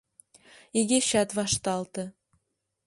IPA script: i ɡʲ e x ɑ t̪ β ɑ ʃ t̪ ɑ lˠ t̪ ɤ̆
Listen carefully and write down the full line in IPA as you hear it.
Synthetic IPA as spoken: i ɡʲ e ɕ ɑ t̪ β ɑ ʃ t̪ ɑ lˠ t̪ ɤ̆